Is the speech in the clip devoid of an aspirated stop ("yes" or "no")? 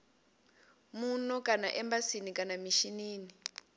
yes